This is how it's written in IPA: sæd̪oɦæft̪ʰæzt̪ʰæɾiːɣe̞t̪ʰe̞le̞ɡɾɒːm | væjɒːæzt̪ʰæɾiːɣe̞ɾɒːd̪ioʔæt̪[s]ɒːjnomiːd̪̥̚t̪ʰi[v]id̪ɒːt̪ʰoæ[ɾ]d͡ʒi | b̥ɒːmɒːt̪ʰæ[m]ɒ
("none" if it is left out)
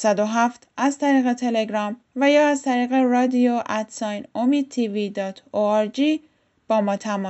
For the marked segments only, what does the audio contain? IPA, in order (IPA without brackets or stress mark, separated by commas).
s, v, ɾ, m